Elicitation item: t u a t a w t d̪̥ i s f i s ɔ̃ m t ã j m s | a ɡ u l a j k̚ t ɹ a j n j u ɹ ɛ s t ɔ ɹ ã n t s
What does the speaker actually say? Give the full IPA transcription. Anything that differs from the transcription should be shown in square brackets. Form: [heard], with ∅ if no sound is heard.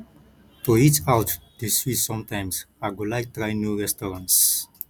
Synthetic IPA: t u [i] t a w t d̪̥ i s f i s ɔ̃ m t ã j m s | a ɡ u l a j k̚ t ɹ a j n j u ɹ ɛ s t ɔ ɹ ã n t s